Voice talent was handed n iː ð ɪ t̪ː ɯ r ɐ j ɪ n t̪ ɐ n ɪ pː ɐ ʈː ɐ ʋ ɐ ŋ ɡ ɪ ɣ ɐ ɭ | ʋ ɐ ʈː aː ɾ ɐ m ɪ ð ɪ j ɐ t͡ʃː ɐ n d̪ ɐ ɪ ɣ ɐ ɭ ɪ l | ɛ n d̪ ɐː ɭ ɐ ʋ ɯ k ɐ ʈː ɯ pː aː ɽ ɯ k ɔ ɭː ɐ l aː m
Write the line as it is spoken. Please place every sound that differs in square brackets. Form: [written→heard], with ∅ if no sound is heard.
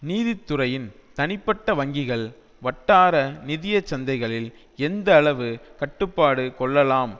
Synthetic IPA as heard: n iː ð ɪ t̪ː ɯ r ɐ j ɪ n t̪ ɐ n ɪ pː ɐ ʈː ɐ ʋ ɐ ŋ ɡ ɪ ɣ ɐ ɭ | ʋ ɐ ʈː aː ɾ ɐ [m→n] ɪ ð ɪ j ɐ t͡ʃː ɐ n d̪ ɐ ɪ ɣ ɐ ɭ ɪ l | ɛ n d̪ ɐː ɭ ɐ ʋ ɯ k ɐ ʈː ɯ pː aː ɽ ɯ k ɔ ɭː ɐ l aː m

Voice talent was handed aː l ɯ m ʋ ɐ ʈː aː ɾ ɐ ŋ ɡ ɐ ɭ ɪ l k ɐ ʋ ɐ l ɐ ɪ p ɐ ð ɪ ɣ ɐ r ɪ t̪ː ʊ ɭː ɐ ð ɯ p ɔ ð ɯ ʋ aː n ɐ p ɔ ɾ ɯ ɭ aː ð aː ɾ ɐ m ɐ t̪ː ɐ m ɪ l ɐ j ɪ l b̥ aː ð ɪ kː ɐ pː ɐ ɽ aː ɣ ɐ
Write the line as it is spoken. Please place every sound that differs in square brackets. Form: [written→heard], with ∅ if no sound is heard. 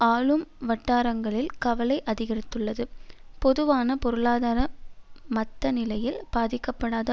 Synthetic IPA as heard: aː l ɯ m ʋ ɐ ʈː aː ɾ ɐ ŋ ɡ ɐ ɭ ɪ l k ɐ ʋ ɐ l ɐ ɪ [p→ʔ] ɐ ð ɪ ɣ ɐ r ɪ t̪ː [ʊ→ɯ] ɭː ɐ ð ɯ p ɔ ð ɯ ʋ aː n ɐ p ɔ ɾ ɯ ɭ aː ð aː ɾ ɐ m ɐ t̪ː ɐ [m→n] ɪ l ɐ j ɪ l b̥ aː ð ɪ kː ɐ pː ɐ ɽ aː [ɣ→ð] ɐ

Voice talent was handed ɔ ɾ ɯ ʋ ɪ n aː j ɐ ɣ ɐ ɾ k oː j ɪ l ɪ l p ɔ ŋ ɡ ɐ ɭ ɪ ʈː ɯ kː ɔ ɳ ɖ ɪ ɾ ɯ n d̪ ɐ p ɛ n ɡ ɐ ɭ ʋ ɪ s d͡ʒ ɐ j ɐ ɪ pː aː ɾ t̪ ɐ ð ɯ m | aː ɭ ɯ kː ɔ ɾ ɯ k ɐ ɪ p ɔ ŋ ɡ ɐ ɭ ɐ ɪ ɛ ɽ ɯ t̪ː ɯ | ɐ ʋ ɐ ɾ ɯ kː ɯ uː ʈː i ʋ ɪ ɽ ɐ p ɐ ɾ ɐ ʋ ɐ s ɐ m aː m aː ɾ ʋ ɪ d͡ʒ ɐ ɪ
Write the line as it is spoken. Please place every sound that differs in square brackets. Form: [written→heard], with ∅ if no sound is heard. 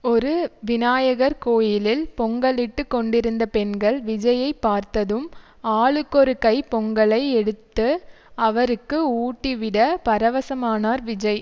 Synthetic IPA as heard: ɔ ɾ ɯ ʋ ɪ n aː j ɐ ɣ ɐ ɾ k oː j ɪ l ɪ l p ɔ ŋ ɡ ɐ ɭ ɪ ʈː ɯ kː ɔ ɳ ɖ ɪ ɾ ɯ n d̪ ɐ p ɛ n ɡ ɐ ɭ ʋ ɪ [s→∅] d͡ʒ ɐ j ɐ ɪ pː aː ɾ t̪ ɐ ð ɯ m | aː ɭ ɯ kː ɔ ɾ ɯ k ɐ ɪ p ɔ ŋ ɡ ɐ ɭ ɐ ɪ ɛ ɽ ɯ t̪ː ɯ | ɐ ʋ ɐ ɾ ɯ kː ɯ uː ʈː i ʋ ɪ ɽ ɐ p ɐ ɾ ɐ ʋ ɐ s ɐ m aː [m→n] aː ɾ ʋ ɪ d͡ʒ ɐ ɪ

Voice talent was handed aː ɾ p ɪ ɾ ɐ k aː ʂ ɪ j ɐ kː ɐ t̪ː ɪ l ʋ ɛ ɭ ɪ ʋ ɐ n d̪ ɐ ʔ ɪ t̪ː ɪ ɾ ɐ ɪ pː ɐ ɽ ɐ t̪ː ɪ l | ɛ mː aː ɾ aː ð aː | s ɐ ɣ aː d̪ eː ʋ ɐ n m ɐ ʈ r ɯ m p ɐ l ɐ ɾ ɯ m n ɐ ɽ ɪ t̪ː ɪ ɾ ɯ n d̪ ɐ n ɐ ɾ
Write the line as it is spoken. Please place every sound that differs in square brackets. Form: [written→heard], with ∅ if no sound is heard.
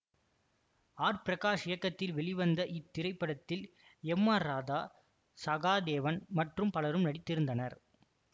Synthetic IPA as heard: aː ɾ p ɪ ɾ ɐ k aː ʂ ɪ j ɐ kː ɐ t̪ː ɪ l ʋ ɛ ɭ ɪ ʋ ɐ n d̪ ɐ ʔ ɪ t̪ː ɪ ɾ ɐ ɪ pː ɐ ɽ ɐ t̪ː ɪ l | ɛ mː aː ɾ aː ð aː | s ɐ ɣ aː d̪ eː ʋ ɐ n m ɐ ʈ r ɯ m p ɐ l ɐ ɾ ɯ m n ɐ ɽ ɪ t̪ː ɪ ɾ ɯ n d̪ ɐ n ɐ ɾ

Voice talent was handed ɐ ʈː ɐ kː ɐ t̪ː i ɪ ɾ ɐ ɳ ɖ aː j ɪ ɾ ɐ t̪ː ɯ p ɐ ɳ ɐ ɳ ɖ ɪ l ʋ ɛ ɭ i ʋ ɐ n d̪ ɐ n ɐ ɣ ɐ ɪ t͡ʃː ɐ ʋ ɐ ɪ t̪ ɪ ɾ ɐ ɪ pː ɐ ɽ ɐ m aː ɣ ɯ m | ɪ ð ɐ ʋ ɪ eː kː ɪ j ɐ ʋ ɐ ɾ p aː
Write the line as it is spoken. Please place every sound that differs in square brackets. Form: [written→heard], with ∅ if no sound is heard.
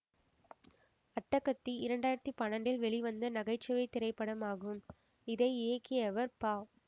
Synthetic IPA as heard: ɐ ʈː ɐ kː ɐ t̪ː i ɪ ɾ ɐ ɳ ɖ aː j ɪ ɾ ɐ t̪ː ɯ p ɐ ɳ ɐ ɳ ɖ ɪ l ʋ ɛ ɭ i ʋ ɐ n d̪ ɐ n ɐ ɣ ɐ ɪ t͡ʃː ɐ ʋ ɐ ɪ t̪ ɪ ɾ ɐ ɪ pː ɐ ɽ ɐ m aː ɣ ɯ m | ɪ ð ɐ [ʋ→∅] ɪ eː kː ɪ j ɐ ʋ ɐ ɾ p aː

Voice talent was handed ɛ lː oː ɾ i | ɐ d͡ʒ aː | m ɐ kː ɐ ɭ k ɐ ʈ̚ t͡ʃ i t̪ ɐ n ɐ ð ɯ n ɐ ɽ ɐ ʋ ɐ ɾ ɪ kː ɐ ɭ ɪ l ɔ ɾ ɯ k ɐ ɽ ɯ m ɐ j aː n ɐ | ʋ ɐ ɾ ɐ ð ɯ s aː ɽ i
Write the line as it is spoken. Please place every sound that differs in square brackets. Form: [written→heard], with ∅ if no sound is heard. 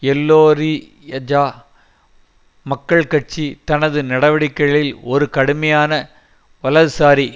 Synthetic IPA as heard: ɛ lː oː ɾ i | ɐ d͡ʒ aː | m ɐ kː ɐ ɭ k ɐ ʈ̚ t͡ʃ i t̪ ɐ n ɐ ð ɯ n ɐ ɽ ɐ ʋ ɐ [ɾ→ɽ] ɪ kː ɐ ɭ ɪ l ɔ ɾ ɯ k ɐ ɽ ɯ m ɐ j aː n ɐ | ʋ ɐ [ɾ→l] ɐ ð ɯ s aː [ɽ→ɾ] i

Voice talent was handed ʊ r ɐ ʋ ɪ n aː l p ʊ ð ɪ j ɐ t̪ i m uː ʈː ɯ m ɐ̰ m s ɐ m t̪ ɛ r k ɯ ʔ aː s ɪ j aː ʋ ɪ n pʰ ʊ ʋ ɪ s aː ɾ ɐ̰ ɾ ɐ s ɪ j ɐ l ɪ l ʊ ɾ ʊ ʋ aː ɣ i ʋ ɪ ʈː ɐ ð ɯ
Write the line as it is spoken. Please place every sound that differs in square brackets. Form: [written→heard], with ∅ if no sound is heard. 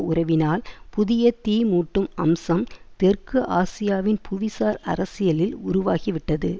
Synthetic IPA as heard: ʊ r ɐ ʋ ɪ n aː l p ʊ ð ɪ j ɐ t̪ [i→iː] m uː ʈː ɯ m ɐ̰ m s ɐ m t̪ ɛ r k ɯ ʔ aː s ɪ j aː ʋ ɪ n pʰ ʊ ʋ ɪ s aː ɾ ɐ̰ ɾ ɐ s ɪ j ɐ l ɪ l ʊ ɾ ʊ ʋ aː ɣ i ʋ ɪ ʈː ɐ ð ɯ

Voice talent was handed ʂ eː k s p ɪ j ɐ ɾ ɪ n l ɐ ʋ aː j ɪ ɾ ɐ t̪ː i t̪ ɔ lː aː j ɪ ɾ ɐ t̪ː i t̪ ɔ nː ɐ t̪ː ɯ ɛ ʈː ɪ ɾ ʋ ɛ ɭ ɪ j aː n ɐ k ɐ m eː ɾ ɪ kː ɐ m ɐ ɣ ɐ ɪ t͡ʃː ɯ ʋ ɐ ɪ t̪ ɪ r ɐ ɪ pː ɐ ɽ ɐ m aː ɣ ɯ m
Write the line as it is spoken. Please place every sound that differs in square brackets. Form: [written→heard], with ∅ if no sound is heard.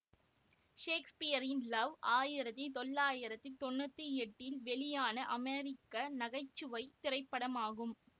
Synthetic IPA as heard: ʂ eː k s p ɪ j ɐ ɾ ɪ n l ɐ ʋ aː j ɪ ɾ ɐ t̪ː i t̪ ɔ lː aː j ɪ ɾ ɐ t̪ː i t̪ ɔ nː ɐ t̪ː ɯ ɛ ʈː ɪ [ɾ→l] ʋ ɛ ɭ ɪ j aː n ɐ [k→ʔ] ɐ m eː ɾ ɪ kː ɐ [m→n] ɐ ɣ ɐ ɪ t͡ʃː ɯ ʋ ɐ ɪ t̪ ɪ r ɐ ɪ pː ɐ ɽ ɐ m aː ɣ ɯ m

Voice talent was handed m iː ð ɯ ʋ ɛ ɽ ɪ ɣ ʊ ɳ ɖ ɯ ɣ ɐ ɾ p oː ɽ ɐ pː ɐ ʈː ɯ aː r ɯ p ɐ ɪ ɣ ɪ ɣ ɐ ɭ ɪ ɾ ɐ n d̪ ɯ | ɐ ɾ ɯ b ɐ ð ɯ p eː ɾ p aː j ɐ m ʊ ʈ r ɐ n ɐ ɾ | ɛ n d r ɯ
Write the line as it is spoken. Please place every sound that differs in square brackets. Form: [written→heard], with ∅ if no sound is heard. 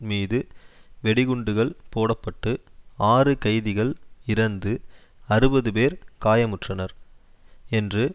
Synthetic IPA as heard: m iː ð ɯ ʋ ɛ ɽ ɪ ɣ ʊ ɳ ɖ ɯ ɣ ɐ [ɾ→ɭ] p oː ɽ ɐ pː ɐ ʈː ɯ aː r ɯ [p→k] ɐ ɪ [ɣ→ð] ɪ ɣ ɐ ɭ ɪ ɾ ɐ n d̪ ɯ | ɐ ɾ ɯ b ɐ ð ɯ p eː ɾ [p→k] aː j ɐ m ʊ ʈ r ɐ n ɐ ɾ | ɛ n d r ɯ

